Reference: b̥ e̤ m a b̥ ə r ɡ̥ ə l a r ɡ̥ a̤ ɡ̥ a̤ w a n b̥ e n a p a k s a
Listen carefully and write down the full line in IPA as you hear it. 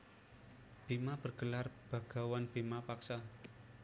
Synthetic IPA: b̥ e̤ m a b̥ ə r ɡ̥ ə l a r b̥ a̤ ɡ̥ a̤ w a n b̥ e m a p a k s a